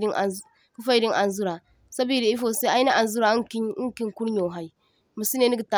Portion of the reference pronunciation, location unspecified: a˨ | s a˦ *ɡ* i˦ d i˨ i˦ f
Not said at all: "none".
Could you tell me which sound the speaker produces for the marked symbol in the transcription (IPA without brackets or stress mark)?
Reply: b